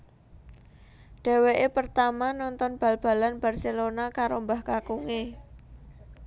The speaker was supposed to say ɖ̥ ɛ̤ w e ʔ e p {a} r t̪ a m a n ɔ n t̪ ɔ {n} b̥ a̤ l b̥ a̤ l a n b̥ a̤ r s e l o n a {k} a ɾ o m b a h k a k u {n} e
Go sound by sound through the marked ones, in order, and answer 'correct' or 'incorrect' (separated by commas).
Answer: incorrect, correct, correct, incorrect